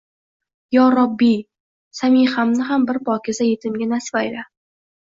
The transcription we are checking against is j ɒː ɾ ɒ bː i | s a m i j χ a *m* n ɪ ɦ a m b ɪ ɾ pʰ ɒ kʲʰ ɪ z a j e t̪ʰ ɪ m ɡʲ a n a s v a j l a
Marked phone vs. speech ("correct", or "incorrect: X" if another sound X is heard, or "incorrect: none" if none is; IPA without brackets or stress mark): correct